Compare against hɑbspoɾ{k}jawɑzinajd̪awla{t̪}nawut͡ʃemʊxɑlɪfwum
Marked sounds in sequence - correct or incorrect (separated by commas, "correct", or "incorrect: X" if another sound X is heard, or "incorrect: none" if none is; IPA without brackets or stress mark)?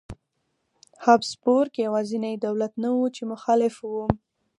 correct, correct